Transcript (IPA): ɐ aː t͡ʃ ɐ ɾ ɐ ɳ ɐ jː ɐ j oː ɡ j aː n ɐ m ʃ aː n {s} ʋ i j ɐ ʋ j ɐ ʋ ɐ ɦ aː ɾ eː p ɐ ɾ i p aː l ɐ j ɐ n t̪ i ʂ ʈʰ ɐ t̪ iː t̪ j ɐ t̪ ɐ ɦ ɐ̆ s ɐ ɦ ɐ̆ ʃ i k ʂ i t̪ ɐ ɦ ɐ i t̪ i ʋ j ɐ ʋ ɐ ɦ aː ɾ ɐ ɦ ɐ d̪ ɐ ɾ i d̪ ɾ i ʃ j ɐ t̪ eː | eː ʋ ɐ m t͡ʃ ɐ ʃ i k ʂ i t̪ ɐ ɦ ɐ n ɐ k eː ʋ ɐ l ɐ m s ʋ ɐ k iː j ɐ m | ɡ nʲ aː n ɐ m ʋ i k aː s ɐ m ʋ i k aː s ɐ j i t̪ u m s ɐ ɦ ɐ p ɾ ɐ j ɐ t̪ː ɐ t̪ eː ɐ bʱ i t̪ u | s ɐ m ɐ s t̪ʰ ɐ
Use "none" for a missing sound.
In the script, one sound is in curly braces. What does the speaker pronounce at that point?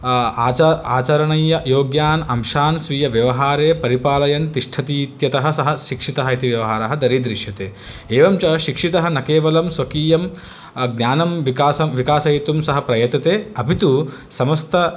s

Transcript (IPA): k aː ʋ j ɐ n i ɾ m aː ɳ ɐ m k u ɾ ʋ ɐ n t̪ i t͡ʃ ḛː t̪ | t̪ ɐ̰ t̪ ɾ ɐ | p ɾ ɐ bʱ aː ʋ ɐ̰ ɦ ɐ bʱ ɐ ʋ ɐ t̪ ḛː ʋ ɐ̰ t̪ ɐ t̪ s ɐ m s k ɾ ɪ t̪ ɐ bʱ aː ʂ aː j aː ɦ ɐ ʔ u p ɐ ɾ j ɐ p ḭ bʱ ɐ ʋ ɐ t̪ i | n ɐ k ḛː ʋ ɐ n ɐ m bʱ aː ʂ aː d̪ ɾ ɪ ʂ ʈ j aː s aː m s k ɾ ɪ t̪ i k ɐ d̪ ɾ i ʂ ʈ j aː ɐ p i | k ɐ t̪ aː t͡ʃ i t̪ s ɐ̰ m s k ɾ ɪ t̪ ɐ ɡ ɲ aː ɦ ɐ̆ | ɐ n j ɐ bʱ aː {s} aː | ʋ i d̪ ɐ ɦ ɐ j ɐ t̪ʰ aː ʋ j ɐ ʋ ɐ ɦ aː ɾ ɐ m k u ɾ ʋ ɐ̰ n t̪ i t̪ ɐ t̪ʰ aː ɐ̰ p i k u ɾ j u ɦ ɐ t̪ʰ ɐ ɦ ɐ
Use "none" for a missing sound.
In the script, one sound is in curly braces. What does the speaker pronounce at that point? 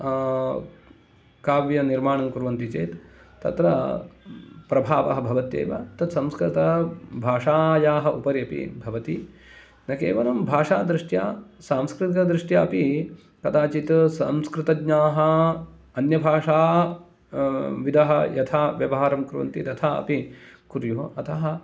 ʂ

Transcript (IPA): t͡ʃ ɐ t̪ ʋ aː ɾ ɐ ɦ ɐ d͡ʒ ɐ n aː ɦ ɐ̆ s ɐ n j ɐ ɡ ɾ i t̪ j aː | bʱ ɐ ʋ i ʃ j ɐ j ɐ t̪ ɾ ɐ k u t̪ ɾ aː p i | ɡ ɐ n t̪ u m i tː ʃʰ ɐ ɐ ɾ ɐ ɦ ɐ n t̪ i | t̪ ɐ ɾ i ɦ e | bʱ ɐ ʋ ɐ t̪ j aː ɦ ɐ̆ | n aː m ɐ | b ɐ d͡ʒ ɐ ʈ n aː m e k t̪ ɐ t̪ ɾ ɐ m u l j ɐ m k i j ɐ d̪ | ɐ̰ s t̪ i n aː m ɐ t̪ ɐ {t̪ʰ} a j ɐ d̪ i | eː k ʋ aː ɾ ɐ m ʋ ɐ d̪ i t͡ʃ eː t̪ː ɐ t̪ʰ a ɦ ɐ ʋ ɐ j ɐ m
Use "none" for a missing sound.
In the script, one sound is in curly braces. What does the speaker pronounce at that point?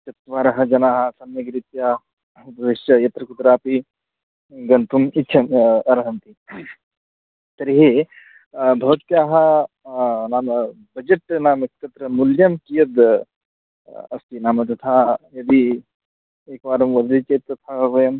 t̪ʰ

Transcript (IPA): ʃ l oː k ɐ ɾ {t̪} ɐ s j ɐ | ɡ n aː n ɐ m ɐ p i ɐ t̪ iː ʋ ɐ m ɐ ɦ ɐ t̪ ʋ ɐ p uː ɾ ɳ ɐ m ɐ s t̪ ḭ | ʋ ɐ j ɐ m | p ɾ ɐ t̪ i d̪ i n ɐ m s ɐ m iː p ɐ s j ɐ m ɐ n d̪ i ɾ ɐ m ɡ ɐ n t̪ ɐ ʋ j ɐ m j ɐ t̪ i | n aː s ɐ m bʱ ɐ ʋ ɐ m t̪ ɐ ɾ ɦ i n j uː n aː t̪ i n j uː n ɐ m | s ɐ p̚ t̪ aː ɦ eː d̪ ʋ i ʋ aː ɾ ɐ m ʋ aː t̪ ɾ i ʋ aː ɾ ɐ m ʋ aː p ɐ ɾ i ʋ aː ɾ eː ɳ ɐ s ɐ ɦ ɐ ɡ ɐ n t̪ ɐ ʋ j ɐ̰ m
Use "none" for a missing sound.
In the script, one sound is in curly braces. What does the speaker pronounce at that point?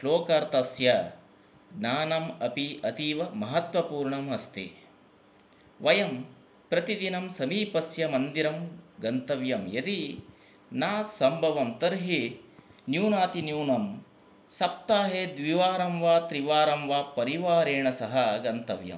t̪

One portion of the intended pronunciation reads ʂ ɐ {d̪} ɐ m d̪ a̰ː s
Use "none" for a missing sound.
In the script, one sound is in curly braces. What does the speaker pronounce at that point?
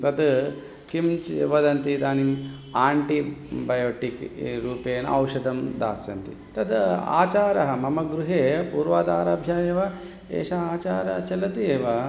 d̪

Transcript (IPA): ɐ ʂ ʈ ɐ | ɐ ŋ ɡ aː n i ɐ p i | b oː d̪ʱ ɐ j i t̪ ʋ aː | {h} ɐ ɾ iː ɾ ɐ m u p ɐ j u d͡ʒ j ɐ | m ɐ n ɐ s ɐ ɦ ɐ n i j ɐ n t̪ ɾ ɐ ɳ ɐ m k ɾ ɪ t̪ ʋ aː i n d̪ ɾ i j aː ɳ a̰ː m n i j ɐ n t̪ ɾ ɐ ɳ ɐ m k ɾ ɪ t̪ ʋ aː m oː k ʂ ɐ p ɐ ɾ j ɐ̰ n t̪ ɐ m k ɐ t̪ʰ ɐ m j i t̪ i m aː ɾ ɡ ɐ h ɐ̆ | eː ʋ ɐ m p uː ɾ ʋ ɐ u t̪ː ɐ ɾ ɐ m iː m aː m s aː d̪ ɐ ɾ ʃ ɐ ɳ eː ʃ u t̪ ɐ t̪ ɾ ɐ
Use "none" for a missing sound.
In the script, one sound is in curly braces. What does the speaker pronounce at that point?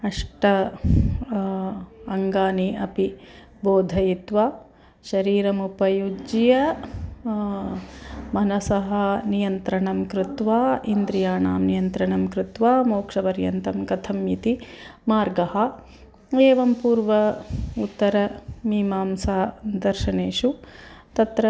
ʃ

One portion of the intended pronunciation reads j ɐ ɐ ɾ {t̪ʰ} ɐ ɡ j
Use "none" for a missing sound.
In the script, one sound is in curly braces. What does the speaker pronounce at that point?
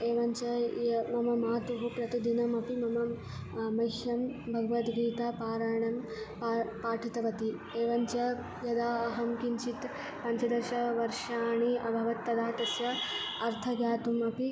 t̪ʰ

